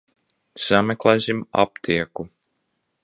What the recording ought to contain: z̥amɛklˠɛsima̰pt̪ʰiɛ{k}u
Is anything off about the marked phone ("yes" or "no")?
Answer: no